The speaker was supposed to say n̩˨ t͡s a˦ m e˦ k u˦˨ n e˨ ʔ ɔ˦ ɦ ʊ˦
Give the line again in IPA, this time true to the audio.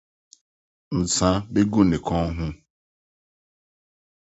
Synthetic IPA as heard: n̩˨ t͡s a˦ b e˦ ɡ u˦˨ n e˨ k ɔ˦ ɦ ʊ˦